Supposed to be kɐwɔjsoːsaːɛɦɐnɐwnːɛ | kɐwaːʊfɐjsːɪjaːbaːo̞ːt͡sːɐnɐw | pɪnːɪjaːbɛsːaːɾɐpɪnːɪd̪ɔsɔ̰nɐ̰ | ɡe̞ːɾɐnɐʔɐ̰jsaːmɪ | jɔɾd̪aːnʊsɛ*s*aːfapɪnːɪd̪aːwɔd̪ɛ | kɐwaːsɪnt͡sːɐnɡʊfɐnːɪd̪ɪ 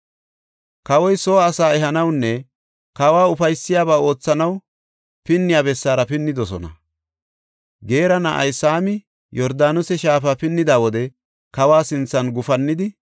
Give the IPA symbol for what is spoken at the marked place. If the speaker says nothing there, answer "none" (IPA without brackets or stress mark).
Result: ʃ